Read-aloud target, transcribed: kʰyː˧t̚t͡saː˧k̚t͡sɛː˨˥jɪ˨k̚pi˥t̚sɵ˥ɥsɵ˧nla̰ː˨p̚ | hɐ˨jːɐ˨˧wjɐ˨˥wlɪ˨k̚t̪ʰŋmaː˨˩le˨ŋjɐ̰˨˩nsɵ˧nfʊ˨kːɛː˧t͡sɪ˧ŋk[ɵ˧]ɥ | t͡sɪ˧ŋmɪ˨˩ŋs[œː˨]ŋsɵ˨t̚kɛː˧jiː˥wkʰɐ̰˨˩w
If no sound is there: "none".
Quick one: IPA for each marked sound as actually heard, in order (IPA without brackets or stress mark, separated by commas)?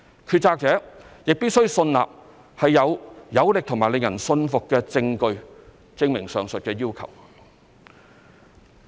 ɵ˧, œː˨